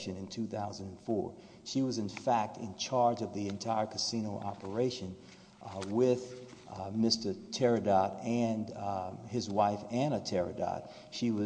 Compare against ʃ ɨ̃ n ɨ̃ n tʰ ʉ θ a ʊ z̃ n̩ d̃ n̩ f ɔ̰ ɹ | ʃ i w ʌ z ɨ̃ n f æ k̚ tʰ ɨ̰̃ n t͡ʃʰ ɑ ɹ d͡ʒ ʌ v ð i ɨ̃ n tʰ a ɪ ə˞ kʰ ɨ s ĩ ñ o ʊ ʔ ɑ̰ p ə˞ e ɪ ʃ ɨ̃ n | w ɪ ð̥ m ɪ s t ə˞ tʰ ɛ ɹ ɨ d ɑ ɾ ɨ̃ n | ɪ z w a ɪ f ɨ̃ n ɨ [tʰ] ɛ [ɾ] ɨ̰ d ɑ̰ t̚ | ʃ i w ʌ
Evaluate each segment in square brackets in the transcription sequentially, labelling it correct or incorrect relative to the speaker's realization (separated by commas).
correct, incorrect